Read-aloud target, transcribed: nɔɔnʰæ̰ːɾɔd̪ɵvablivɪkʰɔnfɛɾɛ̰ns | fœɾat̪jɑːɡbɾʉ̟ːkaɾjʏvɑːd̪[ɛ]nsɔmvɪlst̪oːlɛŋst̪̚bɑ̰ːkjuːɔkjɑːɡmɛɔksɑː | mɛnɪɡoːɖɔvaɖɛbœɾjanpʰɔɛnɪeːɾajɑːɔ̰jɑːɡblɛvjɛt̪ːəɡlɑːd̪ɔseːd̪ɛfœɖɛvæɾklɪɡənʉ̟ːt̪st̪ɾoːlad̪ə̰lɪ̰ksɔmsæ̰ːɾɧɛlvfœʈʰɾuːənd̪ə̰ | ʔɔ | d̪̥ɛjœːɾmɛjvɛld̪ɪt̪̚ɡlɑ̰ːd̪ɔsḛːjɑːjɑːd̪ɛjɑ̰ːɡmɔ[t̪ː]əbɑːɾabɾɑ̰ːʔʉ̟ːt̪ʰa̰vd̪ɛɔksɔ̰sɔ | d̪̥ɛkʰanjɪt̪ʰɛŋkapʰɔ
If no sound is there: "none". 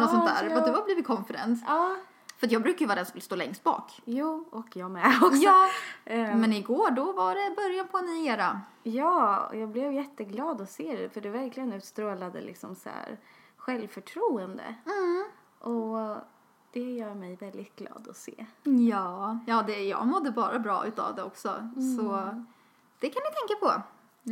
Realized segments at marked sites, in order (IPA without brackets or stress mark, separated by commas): ɛ, d̪ː